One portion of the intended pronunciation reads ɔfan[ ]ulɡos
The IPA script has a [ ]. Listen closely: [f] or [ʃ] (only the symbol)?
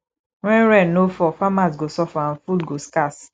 f